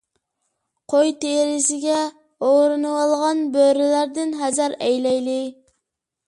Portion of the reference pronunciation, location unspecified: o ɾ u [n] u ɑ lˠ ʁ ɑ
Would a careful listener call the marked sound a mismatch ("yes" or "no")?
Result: no